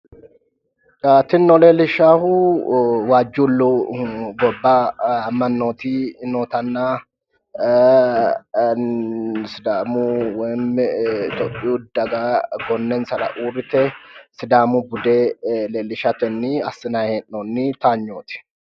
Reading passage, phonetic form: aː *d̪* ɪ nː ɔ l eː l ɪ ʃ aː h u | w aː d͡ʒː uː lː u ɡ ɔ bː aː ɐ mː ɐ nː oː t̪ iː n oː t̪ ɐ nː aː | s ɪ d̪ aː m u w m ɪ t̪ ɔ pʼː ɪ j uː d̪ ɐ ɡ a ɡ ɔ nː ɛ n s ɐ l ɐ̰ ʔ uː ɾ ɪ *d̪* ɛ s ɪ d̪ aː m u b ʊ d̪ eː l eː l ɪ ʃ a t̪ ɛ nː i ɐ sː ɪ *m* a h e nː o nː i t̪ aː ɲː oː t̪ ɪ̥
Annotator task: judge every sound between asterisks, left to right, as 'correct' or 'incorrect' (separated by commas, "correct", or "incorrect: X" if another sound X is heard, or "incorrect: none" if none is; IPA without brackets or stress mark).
incorrect: t̪, incorrect: t̪, incorrect: n